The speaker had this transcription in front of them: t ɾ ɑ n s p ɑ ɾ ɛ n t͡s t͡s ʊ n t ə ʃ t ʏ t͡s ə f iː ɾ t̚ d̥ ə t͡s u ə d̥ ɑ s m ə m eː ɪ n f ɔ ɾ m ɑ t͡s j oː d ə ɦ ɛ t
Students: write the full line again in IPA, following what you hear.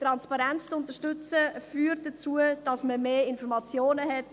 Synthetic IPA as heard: t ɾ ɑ n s p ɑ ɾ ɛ n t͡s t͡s ʊ n t ə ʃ t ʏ t͡s ə f yː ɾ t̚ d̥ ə t͡s u ə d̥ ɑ s m ə m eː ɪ n f ɔ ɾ m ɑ t͡s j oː n ə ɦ ɛ t